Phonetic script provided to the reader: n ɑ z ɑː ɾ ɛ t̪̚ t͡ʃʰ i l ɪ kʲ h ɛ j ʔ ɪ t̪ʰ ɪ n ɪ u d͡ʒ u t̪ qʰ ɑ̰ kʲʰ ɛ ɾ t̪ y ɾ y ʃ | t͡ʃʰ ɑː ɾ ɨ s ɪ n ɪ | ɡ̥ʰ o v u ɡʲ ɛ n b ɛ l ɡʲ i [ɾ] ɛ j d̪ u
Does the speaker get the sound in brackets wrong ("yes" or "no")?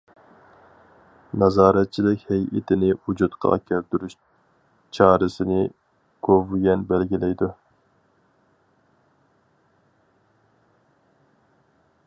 yes